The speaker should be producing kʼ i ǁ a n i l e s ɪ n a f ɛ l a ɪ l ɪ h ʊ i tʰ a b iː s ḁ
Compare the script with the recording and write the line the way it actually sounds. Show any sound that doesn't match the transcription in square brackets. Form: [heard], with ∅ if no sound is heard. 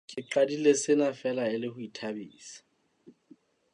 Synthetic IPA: kʼ [ɪ] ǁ a [d] i l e s ɪ n a f ɛ l a ɪ l ɪ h ʊ i tʰ a b iː s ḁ